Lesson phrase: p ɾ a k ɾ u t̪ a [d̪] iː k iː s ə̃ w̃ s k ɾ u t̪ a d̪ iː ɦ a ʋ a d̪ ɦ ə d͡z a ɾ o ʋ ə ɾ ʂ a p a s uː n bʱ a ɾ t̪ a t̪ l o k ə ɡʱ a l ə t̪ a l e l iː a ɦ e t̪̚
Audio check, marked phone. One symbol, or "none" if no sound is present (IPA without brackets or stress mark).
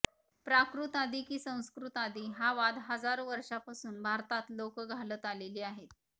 d̪